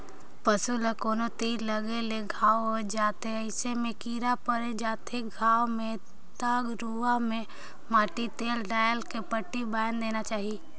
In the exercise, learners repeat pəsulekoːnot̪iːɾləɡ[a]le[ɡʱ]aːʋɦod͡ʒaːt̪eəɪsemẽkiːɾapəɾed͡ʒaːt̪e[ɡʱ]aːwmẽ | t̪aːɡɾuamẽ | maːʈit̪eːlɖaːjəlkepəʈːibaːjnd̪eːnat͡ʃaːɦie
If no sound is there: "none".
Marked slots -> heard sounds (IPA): e, ɡʱ, ɡʱ

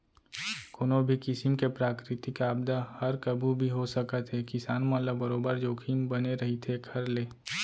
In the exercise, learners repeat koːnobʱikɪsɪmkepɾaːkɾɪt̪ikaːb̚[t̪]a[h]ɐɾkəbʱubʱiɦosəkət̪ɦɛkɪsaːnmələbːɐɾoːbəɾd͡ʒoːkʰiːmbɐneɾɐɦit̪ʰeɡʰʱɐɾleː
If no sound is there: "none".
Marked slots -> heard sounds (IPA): d̪, h

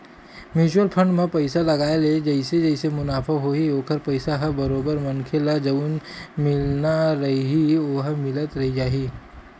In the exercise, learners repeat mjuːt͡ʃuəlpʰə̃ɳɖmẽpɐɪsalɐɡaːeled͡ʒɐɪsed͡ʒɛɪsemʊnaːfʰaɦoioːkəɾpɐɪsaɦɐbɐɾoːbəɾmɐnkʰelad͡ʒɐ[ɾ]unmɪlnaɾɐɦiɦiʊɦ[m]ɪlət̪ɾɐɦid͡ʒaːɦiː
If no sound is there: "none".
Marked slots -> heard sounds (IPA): none, m

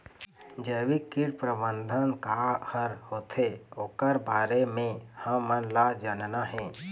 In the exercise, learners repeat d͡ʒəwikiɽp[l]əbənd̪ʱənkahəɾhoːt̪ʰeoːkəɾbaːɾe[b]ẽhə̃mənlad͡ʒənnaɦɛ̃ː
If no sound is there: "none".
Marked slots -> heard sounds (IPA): ɾ, m

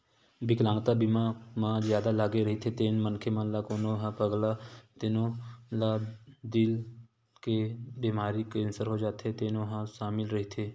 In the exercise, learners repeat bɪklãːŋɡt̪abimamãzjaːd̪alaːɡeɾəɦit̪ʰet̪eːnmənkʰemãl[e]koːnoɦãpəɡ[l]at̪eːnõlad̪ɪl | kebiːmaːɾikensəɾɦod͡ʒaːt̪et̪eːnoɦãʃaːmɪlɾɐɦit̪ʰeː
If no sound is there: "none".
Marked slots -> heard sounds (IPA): a, l

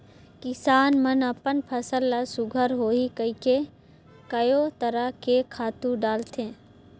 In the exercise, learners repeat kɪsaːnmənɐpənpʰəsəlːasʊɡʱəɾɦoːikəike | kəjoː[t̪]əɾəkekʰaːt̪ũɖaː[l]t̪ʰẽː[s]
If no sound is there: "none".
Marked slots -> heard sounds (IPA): t̪, l, none

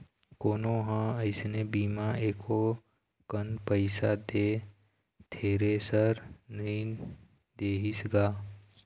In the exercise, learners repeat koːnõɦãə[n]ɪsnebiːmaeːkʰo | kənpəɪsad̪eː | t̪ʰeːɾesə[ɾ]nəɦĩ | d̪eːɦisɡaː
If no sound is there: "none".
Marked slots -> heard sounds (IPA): none, ɾ

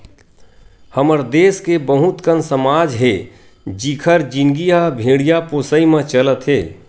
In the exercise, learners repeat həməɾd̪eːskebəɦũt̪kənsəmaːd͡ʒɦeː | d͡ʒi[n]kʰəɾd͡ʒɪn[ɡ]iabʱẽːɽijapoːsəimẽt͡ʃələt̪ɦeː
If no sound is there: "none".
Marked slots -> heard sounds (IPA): none, ɡ

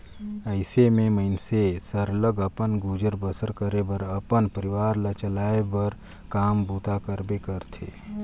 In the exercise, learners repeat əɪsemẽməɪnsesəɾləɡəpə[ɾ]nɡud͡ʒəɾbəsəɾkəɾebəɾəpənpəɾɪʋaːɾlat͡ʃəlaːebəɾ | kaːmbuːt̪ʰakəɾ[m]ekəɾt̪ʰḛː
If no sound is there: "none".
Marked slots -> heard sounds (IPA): none, b

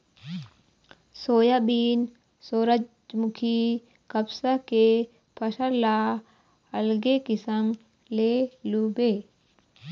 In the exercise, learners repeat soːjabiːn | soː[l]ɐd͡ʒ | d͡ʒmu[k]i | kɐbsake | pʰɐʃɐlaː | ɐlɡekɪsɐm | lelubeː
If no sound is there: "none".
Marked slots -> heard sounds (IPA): ɾ, kʰ

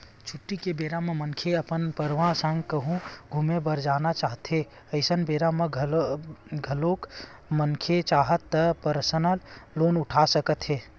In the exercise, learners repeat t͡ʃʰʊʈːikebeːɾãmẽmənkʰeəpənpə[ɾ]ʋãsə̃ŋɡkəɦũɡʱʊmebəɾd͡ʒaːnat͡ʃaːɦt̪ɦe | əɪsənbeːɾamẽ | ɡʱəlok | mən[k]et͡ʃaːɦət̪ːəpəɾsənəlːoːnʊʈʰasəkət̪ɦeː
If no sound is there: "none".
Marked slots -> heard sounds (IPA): ɾ, kʰ

